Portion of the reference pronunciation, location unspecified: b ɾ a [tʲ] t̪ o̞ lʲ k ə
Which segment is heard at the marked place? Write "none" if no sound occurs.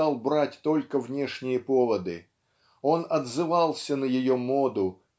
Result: tʲ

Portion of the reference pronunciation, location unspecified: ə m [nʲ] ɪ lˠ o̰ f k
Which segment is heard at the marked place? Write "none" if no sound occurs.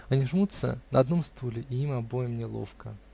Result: nʲ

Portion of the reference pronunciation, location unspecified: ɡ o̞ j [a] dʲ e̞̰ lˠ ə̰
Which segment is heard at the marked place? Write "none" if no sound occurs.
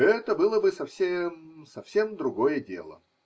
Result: ə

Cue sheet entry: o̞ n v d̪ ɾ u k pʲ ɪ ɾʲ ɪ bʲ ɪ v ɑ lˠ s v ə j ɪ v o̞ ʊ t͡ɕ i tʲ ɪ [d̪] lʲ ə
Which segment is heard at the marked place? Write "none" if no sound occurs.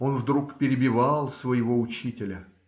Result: none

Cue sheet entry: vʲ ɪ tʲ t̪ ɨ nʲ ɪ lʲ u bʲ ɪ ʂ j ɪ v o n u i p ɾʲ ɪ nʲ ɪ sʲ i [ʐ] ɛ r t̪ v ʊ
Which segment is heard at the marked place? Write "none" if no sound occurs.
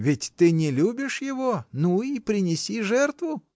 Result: ʐ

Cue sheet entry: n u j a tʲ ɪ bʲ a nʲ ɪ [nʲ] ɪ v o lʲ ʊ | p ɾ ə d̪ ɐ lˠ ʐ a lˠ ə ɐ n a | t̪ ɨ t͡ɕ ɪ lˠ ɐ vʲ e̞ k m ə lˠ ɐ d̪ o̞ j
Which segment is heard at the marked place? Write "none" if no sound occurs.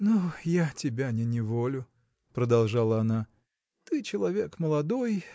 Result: nʲ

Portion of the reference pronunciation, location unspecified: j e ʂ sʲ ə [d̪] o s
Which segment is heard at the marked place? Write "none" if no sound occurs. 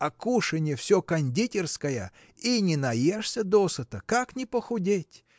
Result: d̪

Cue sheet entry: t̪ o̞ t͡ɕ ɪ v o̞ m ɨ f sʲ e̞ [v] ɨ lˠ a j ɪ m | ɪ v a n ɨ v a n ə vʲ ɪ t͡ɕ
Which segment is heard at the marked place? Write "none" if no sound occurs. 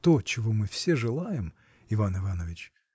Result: ʐ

